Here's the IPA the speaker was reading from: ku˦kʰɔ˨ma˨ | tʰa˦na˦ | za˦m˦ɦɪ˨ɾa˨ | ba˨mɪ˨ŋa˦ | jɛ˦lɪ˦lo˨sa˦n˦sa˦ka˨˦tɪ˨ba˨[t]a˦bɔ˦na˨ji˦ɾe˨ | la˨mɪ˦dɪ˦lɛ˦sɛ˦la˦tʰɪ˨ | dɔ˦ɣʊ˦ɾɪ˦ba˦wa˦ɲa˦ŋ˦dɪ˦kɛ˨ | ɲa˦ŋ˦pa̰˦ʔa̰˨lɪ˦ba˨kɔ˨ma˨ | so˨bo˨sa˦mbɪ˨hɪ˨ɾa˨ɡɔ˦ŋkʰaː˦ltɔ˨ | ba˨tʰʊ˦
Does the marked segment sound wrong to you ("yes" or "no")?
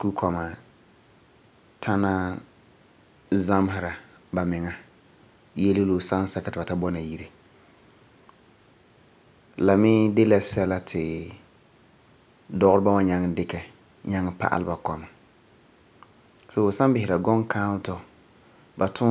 no